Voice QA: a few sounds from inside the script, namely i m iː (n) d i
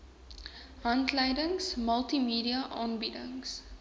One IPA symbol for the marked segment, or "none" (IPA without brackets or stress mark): none